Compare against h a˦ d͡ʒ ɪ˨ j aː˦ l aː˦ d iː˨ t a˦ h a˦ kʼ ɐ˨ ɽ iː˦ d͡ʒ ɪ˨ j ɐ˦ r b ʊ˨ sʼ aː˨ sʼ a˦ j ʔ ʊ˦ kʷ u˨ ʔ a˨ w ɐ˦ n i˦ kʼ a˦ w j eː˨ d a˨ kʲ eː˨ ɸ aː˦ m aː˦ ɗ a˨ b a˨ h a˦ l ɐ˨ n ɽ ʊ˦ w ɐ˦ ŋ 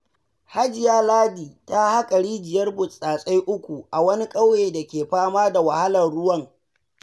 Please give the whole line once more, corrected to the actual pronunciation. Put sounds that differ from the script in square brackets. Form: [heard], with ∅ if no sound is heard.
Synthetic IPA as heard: h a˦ d͡ʒ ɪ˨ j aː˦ l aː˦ d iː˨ t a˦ h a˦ kʼ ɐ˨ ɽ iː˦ d͡ʒ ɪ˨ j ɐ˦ r b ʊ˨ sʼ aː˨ sʼ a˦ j ʔ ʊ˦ kʷ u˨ ʔ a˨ w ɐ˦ n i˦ kʼ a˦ w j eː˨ d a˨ kʲ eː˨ ɸ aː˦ m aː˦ [d] a˨ [w] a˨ h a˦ l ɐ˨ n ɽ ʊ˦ w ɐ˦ ŋ